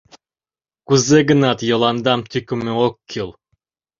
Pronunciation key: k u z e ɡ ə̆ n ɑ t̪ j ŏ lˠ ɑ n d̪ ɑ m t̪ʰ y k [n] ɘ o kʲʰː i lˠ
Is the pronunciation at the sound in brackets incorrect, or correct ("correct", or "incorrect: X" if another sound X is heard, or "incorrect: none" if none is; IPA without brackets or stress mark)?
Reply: incorrect: m